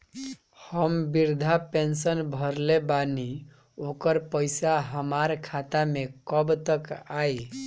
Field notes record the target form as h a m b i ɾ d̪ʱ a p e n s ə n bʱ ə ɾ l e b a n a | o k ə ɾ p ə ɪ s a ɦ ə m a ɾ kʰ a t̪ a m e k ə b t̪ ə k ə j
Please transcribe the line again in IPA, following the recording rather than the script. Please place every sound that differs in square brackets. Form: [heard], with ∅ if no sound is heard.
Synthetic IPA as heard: h [ə] m b i ɾ d̪ʱ a p e n s ə n bʱ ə ɾ l e b a n [i] | o k ə ɾ p ə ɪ s a ɦ ə m a ɾ kʰ a t̪ a m e k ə b t̪ ə k [a] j

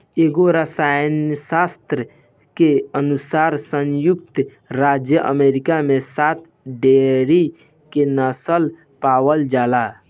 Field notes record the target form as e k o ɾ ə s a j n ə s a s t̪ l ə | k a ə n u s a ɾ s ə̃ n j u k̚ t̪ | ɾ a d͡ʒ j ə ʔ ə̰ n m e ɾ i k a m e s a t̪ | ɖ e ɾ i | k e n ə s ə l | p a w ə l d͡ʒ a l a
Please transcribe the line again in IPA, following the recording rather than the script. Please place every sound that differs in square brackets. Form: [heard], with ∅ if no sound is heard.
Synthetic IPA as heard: e [ɡ] o ɾ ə s a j n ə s a s t̪ [ɾ] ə | k [e] ə n u s a ɾ s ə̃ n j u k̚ t̪ | ɾ a d͡ʒ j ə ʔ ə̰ [∅] m e ɾ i k a m e s a t̪ | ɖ e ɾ i | k e n ə s ə l | p a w ə l d͡ʒ a l a

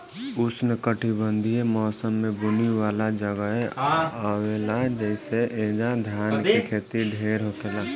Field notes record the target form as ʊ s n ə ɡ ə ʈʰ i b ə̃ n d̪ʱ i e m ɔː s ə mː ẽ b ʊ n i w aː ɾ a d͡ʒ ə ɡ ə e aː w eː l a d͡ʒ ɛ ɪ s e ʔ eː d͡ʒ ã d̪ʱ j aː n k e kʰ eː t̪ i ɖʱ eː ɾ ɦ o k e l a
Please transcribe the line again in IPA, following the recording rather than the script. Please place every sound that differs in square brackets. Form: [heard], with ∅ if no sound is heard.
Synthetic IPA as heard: ʊ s n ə [k] ə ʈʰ i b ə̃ n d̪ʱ i e m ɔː s ə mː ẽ b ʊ n i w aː [l] a d͡ʒ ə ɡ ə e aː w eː l a d͡ʒ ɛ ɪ s e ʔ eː d͡ʒ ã d̪ʱ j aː n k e kʰ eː t̪ i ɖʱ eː ɾ ɦ o k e l a

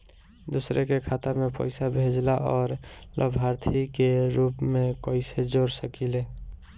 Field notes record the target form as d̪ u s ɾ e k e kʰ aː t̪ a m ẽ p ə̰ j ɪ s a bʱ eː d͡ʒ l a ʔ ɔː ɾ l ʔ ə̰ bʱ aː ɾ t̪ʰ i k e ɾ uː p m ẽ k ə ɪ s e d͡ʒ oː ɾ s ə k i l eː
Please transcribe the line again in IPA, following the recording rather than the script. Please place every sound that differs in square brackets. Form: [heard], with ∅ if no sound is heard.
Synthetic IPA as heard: d̪ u s ɾ e k e kʰ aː t̪ a m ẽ p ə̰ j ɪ s a bʱ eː d͡ʒ l a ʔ ɔː ɾ l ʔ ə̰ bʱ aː ɾ t̪ʰ i k e ɾ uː p m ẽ k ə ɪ s e d͡ʒ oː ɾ s ə k i l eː

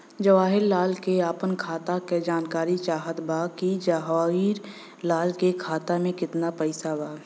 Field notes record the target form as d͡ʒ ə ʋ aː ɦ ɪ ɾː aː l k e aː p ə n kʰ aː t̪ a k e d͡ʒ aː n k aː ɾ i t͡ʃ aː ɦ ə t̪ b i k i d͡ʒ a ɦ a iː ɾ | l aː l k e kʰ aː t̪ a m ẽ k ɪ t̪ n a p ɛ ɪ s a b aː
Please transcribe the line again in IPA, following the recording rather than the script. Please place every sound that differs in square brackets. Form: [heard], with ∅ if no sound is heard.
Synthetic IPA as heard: d͡ʒ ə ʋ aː ɦ ɪ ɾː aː l k e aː p ə n kʰ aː t̪ a k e d͡ʒ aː n k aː ɾ i t͡ʃ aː ɦ ə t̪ b [a] k i d͡ʒ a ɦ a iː ɾ | l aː l k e kʰ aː t̪ a m ẽ k ɪ t̪ n a p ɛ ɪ s a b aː

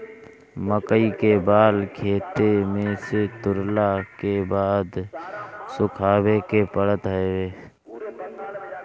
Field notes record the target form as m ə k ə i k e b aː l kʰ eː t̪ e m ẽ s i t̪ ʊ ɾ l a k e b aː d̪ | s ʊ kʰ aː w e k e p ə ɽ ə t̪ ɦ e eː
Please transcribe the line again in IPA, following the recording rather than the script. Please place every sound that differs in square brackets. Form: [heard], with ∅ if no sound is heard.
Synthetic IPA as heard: m ə k ə i k e b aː l kʰ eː t̪ e m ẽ s [e] t̪ ʊ ɾ l a k e b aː d̪ | s ʊ kʰ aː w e k e p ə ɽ ə t̪ ɦ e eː

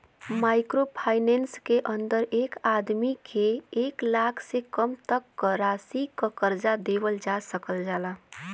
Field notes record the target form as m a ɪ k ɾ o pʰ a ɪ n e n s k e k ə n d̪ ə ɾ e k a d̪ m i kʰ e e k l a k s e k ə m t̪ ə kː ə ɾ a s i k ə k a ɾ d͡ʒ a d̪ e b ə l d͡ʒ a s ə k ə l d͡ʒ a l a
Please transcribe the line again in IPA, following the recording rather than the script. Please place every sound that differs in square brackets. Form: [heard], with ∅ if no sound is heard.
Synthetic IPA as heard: m a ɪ k ɾ o pʰ a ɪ n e n s k e [ʔ] ə n d̪ ə ɾ e k a d̪ m i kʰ e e k l a [kʰ] s e k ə m t̪ ə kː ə ɾ a s i k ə k [ə] ɾ d͡ʒ a d̪ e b ə l d͡ʒ a s ə k ə l d͡ʒ a l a

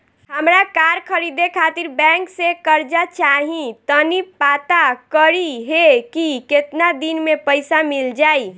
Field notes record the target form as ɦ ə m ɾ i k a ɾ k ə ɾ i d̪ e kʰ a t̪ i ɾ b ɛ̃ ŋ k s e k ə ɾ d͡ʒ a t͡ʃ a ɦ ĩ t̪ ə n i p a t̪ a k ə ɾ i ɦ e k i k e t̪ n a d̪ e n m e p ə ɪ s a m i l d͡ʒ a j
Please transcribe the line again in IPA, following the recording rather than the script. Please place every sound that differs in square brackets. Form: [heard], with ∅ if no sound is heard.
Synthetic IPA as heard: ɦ ə m ɾ [a] k a ɾ [kʰ] ə ɾ i d̪ e kʰ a t̪ i ɾ b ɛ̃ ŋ k s e k ə ɾ d͡ʒ a t͡ʃ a ɦ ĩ t̪ ə n i p a t̪ a k ə ɾ i ɦ e k i k e t̪ n a d̪ [i] n m e p ə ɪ s a m i l d͡ʒ a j

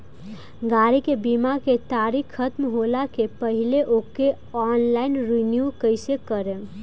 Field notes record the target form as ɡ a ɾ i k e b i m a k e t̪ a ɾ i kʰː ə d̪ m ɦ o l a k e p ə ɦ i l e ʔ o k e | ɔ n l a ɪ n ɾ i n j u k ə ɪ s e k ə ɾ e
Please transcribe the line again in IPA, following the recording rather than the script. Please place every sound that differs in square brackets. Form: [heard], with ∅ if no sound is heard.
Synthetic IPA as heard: ɡ a ɾ i k e b i m a k e t̪ a ɾ i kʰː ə [t̪] m ɦ o l a k e p ə ɦ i l e ʔ o k e | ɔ n l a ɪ n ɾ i n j u k ə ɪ s e k ə ɾ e

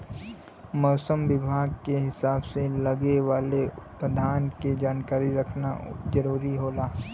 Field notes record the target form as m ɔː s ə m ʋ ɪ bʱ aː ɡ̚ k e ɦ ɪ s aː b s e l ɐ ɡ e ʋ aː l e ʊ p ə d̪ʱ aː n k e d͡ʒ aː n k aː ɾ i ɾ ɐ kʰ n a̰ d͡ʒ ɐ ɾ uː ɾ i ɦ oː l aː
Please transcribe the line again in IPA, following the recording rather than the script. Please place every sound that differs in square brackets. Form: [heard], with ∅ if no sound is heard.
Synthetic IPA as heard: m ɔː s ə m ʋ ɪ bʱ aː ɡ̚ k e ɦ ɪ s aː b s e l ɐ ɡ e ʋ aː l e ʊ p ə d̪ʱ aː n k e d͡ʒ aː n k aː ɾ i ɾ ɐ kʰ n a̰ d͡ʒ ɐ ɾ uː ɾ i ɦ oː l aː

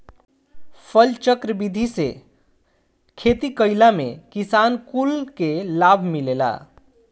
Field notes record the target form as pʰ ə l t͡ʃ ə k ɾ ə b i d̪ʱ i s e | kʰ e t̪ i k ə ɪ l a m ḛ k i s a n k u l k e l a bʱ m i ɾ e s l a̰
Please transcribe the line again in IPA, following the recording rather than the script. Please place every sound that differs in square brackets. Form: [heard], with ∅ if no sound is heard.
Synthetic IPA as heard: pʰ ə l t͡ʃ ə k ɾ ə b i d̪ʱ i s e | kʰ e t̪ i k ə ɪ l a m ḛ k i s a n k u l k e l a bʱ m i [l] e [∅] l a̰

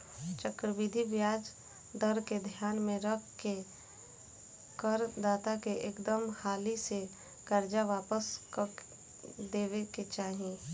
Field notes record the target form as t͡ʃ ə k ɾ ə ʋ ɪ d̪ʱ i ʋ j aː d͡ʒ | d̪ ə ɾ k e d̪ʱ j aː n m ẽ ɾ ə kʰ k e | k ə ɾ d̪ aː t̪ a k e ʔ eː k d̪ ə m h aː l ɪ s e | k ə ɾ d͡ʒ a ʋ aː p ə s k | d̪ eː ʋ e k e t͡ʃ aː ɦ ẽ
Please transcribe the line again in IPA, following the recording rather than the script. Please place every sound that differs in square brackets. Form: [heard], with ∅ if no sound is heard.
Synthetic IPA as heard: t͡ʃ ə k ɾ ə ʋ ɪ d̪ʱ i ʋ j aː d͡ʒ | d̪ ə ɾ k e d̪ʱ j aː n m ẽ ɾ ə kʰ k e | k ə ɾ d̪ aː t̪ a k e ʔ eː k d̪ ə m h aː l [i] s e | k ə ɾ d͡ʒ a ʋ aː p ə s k | d̪ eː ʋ e k e t͡ʃ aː ɦ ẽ

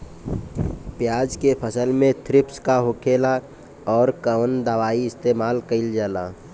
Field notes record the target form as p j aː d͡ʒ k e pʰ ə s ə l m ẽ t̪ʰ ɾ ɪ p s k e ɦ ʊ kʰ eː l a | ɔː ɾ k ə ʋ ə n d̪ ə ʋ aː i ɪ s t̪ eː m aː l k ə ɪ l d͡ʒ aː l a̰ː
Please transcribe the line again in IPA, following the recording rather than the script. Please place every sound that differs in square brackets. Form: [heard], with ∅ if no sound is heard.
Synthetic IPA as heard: p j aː d͡ʒ k e pʰ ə s ə l m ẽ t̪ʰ ɾ ɪ p s k [a] ɦ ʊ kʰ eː l a | ɔː ɾ k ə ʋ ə n d̪ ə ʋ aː i ɪ s t̪ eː m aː l k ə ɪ l d͡ʒ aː l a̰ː

